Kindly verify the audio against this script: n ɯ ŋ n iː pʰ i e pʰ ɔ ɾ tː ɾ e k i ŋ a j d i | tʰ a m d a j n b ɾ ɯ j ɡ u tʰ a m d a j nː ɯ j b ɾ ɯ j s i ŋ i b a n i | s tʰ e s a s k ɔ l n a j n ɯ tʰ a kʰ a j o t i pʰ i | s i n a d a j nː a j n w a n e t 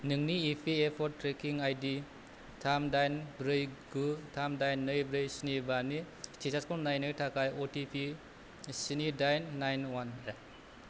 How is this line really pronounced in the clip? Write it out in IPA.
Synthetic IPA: n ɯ ŋ n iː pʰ i e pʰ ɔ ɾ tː ɾ e k i ŋ a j d i | tʰ a m d a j n b ɾ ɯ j ɡ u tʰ a m d a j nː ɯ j b ɾ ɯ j s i n i b a n i | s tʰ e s a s k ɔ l n a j n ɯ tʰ a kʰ a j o t i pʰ i | s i n i d a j nː a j n w a n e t